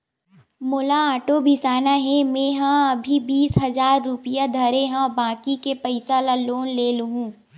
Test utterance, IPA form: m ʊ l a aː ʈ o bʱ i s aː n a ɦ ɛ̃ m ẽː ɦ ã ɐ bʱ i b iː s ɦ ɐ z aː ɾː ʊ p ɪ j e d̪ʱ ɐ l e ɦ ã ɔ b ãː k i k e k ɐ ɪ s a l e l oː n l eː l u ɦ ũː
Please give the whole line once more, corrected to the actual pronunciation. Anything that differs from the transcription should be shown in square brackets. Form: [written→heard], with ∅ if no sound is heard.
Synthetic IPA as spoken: m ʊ l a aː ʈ o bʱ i s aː n a ɦ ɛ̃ m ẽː ɦ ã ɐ bʱ i b iː s ɦ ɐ z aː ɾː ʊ p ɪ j [e→a] d̪ʱ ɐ [l→ɾ] e ɦ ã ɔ b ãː k i k e [k→p] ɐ ɪ s a l [e→a] l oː n l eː l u ɦ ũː